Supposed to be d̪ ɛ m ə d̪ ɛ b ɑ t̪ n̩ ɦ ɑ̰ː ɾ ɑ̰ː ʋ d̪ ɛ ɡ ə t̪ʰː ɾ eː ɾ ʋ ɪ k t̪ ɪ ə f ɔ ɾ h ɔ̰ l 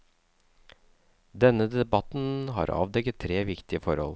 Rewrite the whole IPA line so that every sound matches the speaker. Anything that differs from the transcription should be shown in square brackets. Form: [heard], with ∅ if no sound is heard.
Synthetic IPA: d̪ ɛ [n] ə d̪ ɛ b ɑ t̪ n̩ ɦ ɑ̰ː ɾ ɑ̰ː ʋ d̪ ɛ ɡ ə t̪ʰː ɾ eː [∅] ʋ ɪ k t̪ ɪ ə f ɔ ɾ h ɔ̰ l